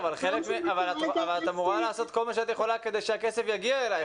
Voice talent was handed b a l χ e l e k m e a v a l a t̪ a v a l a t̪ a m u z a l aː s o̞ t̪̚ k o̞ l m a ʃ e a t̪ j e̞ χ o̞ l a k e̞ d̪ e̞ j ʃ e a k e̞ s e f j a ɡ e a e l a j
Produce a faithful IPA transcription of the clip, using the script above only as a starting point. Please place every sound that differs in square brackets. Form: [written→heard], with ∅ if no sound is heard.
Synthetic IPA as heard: [b→v] a l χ e l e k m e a v a l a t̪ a v a l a t̪ a m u [z→ʁ] a l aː s o̞ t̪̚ k o̞ l m a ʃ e a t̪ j e̞ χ o̞ l a k e̞ d̪ e̞ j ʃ e a k e̞ s e f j a ɡ [e→i] a e l a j